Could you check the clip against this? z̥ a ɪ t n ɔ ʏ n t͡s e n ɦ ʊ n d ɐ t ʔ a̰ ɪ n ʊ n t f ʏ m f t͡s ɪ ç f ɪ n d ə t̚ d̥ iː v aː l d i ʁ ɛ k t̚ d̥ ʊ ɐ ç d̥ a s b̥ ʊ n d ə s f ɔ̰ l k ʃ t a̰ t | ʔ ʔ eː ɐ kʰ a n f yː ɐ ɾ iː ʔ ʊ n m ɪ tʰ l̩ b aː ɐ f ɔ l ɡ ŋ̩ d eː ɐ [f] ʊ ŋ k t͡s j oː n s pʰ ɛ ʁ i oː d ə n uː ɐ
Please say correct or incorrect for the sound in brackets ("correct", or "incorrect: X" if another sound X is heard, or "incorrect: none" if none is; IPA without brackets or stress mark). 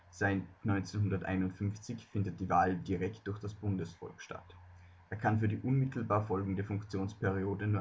correct